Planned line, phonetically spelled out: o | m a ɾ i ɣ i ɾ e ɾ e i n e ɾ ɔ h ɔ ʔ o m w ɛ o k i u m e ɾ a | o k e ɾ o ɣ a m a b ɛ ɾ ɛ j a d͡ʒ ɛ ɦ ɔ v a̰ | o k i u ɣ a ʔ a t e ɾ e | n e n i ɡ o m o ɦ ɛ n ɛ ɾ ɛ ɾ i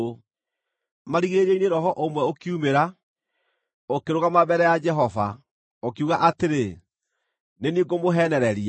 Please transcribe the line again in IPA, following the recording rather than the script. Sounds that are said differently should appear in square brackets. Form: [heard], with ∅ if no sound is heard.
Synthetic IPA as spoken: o | m a ɾ i ɣ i ɾ e ɾ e i n e ɾ ɔ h ɔ ʔ o m w ɛ o k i u m e ɾ a | o k e ɾ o ɣ a m a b ɛ ɾ ɛ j a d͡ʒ ɛ ɦ ɔ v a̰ | o k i u ɣ a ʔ a t e ɾ e | n e n i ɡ o m o ɦ ɛ n ɛ ɾ ɛ ɾ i